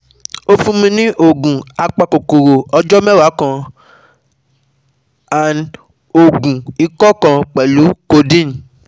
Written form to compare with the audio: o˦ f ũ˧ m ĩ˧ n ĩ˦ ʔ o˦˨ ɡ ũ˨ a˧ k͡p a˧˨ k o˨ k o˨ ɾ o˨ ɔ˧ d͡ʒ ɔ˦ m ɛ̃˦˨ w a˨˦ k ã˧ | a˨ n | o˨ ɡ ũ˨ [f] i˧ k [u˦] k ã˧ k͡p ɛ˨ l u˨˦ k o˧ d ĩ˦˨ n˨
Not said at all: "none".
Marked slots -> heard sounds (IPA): none, ɔ˦

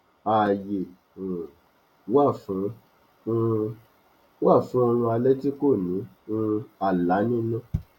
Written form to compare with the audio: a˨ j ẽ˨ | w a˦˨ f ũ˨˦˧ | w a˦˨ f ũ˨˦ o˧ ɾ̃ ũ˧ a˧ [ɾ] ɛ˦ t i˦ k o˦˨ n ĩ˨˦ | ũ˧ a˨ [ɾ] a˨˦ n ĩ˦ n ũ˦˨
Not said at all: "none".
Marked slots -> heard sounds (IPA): l, l

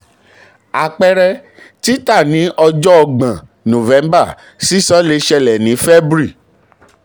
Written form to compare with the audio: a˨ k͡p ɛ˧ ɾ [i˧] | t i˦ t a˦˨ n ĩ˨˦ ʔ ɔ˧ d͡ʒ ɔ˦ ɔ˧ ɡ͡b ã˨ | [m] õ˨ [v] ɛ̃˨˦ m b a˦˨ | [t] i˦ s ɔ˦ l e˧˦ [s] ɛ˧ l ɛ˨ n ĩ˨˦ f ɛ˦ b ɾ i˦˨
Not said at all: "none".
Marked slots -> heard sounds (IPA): ɛ˧, n, v, s, ʃ

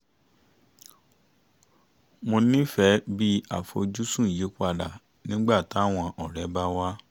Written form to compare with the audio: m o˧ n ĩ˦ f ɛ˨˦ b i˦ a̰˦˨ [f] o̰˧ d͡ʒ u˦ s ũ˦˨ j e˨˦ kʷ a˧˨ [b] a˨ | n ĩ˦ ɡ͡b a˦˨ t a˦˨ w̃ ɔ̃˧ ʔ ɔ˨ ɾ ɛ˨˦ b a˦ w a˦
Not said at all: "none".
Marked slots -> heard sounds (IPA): f, d

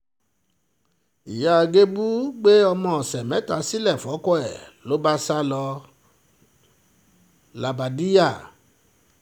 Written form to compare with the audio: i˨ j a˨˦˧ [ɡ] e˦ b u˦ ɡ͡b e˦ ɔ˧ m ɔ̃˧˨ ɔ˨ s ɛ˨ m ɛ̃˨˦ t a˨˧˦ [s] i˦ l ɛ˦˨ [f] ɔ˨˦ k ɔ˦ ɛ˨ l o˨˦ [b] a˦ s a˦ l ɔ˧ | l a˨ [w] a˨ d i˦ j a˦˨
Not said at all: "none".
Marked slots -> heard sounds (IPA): ɡ, s, f, b, b

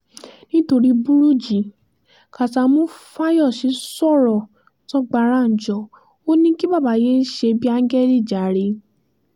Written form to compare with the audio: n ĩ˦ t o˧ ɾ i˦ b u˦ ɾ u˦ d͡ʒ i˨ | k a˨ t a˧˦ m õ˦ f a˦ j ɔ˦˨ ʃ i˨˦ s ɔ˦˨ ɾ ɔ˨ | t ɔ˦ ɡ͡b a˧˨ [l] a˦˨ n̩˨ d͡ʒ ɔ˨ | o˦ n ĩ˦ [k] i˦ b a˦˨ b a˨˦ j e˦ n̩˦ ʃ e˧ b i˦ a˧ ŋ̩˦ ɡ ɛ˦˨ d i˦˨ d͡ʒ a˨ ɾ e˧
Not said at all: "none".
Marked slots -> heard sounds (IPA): ɾ, k

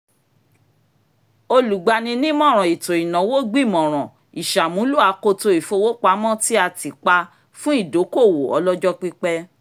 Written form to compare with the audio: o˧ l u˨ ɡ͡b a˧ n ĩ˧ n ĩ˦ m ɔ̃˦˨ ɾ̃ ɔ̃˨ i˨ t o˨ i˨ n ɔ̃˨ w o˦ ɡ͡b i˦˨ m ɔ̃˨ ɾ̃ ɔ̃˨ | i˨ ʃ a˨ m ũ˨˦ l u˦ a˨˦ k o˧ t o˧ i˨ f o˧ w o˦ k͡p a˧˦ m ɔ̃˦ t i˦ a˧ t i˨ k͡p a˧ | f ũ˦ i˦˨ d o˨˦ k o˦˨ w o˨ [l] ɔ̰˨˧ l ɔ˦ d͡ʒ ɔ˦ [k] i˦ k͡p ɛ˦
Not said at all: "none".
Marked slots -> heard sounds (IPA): none, k͡p

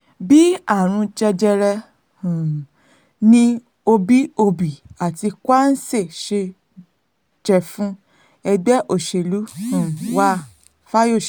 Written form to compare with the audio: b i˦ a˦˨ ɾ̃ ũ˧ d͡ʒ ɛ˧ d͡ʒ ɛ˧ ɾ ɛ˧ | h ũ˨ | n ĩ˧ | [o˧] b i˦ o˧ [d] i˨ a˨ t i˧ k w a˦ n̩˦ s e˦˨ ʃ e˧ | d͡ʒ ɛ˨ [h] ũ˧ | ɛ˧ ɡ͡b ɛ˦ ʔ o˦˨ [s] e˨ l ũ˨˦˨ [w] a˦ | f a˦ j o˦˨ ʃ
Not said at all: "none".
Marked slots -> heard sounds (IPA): o˧, b, f, ʃ, w

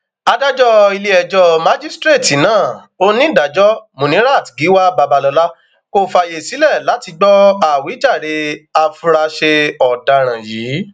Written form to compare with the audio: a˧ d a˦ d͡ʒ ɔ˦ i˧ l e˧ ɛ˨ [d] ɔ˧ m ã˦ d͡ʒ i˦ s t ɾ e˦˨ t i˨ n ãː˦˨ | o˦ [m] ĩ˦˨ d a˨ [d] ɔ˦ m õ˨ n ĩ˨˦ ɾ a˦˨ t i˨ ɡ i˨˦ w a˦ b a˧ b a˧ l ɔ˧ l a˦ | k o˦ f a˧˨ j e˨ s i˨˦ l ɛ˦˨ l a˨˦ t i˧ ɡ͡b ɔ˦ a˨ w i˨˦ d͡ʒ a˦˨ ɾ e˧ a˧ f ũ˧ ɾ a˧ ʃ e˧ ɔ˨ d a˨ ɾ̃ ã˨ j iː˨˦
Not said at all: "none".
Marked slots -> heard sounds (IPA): d͡ʒ, n, d͡ʒ

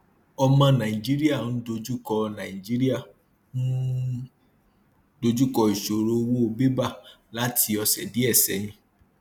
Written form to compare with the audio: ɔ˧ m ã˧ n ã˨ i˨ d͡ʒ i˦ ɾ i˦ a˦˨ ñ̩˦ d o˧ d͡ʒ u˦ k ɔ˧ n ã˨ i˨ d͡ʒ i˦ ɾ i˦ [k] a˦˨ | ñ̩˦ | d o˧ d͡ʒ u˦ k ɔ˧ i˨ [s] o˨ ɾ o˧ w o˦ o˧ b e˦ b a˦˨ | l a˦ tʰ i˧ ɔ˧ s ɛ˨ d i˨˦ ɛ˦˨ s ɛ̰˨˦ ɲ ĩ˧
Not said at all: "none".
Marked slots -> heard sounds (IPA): none, ʃ

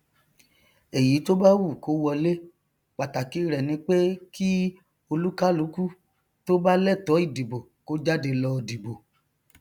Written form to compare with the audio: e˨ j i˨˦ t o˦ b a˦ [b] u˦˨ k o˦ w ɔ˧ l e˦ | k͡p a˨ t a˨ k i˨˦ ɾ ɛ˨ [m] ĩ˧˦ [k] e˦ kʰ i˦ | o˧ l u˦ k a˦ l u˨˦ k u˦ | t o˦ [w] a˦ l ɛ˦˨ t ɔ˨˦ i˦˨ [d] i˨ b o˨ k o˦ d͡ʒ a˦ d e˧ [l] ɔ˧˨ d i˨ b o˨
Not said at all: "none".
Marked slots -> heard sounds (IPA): w, n, k͡p, b, d, l

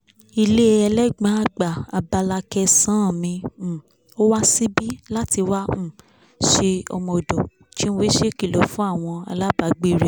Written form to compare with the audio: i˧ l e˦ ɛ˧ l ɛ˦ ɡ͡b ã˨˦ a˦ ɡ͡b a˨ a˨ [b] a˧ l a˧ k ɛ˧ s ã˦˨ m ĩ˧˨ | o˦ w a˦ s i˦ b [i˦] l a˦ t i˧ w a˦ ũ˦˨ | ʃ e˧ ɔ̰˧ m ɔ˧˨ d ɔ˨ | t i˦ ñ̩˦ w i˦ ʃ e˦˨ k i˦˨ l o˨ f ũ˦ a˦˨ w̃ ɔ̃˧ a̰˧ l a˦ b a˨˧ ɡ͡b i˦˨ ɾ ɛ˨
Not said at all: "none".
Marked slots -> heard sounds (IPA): b, i˦

